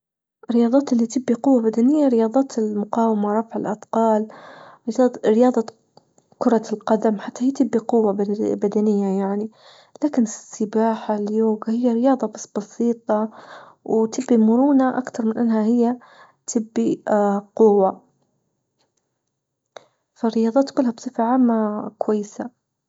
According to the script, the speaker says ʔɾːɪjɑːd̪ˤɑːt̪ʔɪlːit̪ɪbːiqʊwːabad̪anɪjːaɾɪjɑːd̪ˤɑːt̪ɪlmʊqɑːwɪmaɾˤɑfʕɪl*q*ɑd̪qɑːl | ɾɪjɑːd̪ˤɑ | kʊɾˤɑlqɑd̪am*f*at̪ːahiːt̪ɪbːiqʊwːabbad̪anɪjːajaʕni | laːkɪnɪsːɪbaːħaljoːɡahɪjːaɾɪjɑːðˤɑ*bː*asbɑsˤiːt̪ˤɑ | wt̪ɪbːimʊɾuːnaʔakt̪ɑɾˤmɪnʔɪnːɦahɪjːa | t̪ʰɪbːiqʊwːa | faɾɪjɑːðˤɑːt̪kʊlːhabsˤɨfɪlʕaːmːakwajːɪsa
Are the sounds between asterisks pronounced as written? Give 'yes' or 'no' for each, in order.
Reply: no, no, no

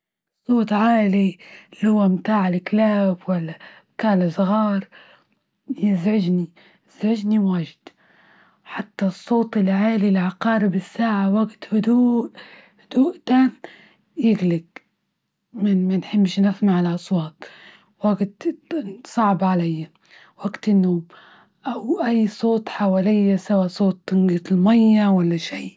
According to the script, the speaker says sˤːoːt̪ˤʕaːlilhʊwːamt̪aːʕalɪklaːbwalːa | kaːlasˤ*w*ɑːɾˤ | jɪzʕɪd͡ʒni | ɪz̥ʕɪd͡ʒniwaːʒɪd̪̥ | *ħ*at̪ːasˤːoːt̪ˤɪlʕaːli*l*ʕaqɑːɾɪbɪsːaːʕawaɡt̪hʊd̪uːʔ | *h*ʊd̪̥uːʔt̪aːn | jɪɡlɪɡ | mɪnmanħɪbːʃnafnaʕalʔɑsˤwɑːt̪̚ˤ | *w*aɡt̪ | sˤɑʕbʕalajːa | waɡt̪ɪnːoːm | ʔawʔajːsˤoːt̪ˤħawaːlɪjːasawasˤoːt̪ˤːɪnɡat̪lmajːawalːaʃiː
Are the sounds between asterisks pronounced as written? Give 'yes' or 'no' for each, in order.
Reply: no, yes, yes, yes, yes

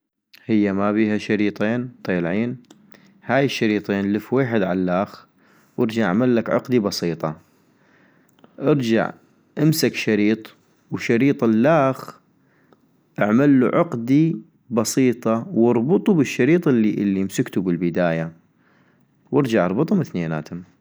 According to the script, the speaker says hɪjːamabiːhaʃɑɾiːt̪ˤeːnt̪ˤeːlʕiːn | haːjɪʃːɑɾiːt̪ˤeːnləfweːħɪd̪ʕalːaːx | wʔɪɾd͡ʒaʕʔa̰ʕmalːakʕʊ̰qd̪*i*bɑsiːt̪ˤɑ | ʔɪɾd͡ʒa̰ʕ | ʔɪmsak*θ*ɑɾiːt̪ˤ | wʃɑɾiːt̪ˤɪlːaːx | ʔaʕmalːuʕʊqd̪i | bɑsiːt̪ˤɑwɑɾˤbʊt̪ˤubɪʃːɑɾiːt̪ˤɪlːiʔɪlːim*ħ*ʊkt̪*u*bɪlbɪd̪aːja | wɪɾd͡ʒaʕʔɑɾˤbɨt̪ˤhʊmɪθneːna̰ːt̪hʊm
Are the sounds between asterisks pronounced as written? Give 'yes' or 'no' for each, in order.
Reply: yes, no, no, yes

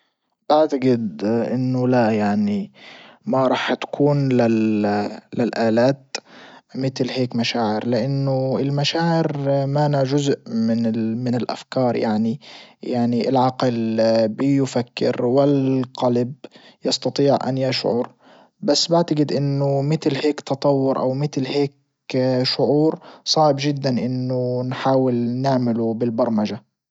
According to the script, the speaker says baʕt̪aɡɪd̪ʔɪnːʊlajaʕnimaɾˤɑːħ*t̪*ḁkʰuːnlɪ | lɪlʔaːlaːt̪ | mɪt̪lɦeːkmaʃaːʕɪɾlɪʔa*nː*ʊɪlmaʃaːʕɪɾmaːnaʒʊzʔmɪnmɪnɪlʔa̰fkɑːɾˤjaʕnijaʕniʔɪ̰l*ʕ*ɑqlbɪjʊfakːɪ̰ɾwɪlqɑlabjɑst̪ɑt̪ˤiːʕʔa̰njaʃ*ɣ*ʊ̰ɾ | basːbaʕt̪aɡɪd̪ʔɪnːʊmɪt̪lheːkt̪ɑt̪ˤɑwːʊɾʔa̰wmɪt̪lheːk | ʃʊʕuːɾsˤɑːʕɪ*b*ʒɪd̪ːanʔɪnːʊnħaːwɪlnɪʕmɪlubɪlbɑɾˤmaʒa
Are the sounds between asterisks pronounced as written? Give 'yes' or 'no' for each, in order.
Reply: yes, yes, yes, no, yes

